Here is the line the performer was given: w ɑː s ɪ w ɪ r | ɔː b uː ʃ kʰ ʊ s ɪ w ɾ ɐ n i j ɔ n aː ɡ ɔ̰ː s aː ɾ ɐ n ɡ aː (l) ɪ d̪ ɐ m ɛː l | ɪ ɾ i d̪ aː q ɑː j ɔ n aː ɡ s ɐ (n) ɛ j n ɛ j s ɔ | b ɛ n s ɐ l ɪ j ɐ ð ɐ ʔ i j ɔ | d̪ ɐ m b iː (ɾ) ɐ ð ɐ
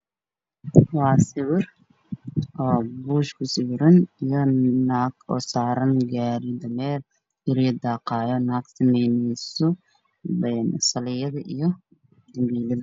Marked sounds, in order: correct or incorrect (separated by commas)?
incorrect, incorrect, incorrect